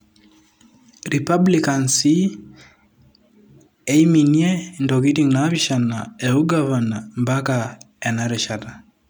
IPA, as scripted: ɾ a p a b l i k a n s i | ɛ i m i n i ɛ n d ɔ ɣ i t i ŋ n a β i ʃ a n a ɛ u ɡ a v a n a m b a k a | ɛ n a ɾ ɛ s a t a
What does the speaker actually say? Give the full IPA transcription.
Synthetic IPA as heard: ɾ i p a b l i k a n s i | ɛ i m i n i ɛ n d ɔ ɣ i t i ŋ n a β i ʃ a n a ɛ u ɡ a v a n a m b a k a | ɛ n a ɾ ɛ ʃ a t a